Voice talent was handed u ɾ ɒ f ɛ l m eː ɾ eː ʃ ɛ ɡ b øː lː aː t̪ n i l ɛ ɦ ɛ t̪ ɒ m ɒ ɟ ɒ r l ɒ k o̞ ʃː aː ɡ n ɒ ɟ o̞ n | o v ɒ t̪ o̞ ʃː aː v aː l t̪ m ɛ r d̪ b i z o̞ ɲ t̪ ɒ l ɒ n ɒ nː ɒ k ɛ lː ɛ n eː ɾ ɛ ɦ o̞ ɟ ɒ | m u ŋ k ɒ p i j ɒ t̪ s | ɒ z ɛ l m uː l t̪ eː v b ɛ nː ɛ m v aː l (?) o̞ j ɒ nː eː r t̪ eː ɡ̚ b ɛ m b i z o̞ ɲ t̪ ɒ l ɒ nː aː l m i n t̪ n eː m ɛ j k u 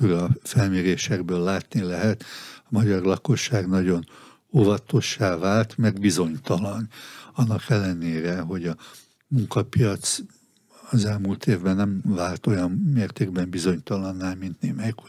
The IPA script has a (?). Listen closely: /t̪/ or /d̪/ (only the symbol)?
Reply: t̪